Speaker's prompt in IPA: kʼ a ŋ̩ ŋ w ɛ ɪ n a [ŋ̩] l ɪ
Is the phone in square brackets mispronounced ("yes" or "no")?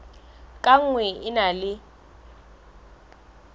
yes